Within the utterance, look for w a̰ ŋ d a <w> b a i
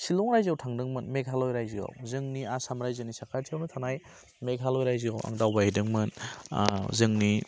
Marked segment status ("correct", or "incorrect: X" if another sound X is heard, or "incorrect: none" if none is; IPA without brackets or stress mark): correct